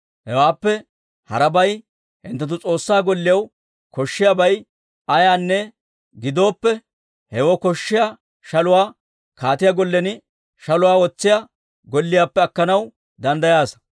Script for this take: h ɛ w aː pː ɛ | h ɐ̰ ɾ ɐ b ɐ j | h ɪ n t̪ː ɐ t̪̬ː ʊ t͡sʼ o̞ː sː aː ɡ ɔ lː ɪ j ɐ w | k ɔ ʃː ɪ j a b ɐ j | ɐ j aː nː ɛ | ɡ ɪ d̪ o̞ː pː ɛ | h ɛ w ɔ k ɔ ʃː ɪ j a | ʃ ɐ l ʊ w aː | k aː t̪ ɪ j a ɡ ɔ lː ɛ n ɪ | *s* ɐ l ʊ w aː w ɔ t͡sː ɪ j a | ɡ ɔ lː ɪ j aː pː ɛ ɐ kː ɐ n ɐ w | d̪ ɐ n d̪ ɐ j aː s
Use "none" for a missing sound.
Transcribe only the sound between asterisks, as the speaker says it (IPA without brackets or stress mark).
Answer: ʃ